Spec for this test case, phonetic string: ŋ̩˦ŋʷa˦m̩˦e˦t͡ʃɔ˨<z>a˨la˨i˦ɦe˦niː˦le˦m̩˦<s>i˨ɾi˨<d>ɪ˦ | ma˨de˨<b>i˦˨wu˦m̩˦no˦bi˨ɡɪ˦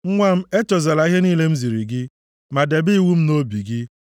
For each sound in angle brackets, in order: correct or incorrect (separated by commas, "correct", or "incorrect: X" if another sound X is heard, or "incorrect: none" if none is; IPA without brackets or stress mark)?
correct, incorrect: z, incorrect: ɡ, correct